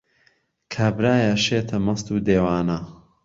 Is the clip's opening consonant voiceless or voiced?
voiceless